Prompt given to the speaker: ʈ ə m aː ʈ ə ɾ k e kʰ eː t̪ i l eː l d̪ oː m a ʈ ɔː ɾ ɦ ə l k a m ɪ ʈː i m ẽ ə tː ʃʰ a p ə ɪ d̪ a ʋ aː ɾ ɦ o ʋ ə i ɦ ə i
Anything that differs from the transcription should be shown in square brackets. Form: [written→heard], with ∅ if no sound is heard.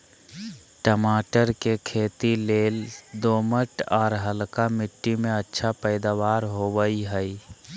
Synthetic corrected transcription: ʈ ə m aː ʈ ə ɾ k e kʰ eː t̪ i l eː l d̪ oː m [a→ə] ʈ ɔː ɾ ɦ ə l k a m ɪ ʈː i m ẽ ə tː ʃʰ a p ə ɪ d̪ a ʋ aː ɾ ɦ o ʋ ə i ɦ ə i

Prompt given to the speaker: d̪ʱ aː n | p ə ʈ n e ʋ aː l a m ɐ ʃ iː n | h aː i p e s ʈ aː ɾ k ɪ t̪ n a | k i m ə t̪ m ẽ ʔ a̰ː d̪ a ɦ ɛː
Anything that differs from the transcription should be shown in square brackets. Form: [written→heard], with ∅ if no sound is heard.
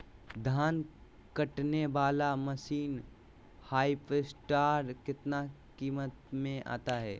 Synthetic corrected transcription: d̪ʱ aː n | [p→k] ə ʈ n e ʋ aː l a m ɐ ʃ iː n | h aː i p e s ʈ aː ɾ k ɪ t̪ n a | k [i→iː] m ə t̪ m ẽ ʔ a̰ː [d̪→t̪] a ɦ ɛː

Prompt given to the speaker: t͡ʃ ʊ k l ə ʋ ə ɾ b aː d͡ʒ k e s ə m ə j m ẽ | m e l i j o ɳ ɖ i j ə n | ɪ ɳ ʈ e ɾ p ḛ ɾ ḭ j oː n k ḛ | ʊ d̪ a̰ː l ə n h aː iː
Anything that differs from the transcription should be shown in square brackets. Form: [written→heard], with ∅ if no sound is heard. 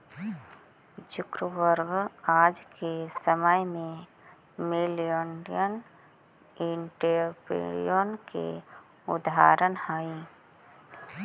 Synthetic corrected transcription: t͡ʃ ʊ k [l→ɾ] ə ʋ ə ɾ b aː d͡ʒ k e s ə m ə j m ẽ | m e l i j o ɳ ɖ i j ə n | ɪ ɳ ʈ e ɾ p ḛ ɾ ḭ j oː n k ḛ | ʊ d̪ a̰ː [l→ɾ] ə n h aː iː

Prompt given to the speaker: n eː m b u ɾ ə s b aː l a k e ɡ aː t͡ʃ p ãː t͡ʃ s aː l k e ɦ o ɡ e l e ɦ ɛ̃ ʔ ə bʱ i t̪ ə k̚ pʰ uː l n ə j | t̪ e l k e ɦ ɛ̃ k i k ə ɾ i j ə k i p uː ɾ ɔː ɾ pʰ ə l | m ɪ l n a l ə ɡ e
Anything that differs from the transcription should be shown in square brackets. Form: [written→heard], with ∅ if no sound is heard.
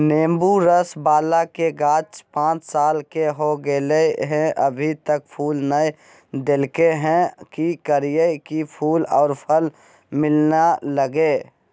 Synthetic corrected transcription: n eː m b u ɾ ə s b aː l a k e ɡ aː t͡ʃ p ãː t͡ʃ s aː l k e ɦ o ɡ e l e ɦ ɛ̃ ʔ ə bʱ i t̪ ə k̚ pʰ uː l n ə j | [t̪→d̪] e l k e ɦ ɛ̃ k i k ə ɾ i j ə k i [p→pʰ] uː [ɾ→l] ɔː ɾ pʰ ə l | m ɪ l n a l ə ɡ e

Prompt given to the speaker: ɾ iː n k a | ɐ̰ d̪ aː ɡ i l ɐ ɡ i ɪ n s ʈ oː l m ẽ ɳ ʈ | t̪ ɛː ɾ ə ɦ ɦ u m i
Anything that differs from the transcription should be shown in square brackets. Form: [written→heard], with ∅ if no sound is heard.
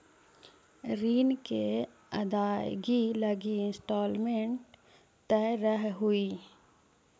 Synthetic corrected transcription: ɾ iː n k [a→e] | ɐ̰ d̪ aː ɡ i l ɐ ɡ i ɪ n s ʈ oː l m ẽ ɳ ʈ | t̪ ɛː ɾ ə ɦ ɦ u [m→∅] i

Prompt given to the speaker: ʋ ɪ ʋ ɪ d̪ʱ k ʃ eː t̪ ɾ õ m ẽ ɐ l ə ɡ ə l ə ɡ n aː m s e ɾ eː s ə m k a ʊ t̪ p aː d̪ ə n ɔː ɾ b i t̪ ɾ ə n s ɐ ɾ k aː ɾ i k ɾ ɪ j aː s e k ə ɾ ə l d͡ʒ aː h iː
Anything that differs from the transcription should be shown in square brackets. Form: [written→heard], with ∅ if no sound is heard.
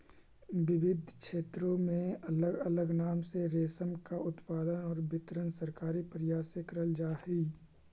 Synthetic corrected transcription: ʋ ɪ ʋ ɪ d̪ʱ k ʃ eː t̪ ɾ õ m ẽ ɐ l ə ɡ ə l ə ɡ n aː m s e ɾ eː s ə m k a ʊ t̪ p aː d̪ ə n ɔː ɾ b [i→ɪ] t̪ ɾ ə n s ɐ ɾ k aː ɾ i [k→p] ɾ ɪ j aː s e k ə ɾ ə l d͡ʒ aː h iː

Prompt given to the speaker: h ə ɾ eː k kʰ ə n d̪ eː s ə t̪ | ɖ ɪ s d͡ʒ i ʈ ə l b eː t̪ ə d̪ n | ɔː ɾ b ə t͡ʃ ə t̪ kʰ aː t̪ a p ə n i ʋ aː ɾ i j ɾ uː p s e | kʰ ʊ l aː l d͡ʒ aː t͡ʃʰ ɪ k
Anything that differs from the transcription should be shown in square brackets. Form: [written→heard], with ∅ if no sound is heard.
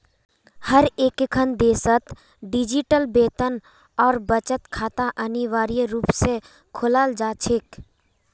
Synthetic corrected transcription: h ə ɾ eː k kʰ ə n d̪ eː s ə t̪ | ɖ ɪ [s→∅] d͡ʒ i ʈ ə l b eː t̪ ə [d̪→∅] n | ɔː ɾ b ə t͡ʃ ə t̪ kʰ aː t̪ a [p→ʔ] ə n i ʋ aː ɾ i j ɾ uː p s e | kʰ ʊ l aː l d͡ʒ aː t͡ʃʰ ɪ k

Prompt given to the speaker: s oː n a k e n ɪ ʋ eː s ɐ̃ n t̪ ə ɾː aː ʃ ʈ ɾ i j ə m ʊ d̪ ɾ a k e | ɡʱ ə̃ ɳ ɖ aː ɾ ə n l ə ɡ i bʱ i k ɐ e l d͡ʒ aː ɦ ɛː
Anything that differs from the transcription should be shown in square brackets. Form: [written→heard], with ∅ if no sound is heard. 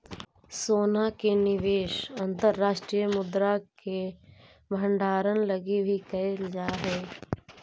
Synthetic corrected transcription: s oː n a k e n ɪ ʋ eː [s→ʃ] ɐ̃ n t̪ ə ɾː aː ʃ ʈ ɾ i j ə m ʊ d̪ ɾ a k e | [ɡʱ→bʱ] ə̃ ɳ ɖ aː ɾ ə n l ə ɡ i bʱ i k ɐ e l d͡ʒ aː ɦ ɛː

